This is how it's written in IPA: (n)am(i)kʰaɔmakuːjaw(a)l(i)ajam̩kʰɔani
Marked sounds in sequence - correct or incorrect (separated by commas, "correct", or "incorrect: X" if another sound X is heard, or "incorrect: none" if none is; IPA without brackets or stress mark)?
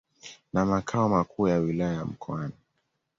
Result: correct, incorrect: a, incorrect: i, incorrect: a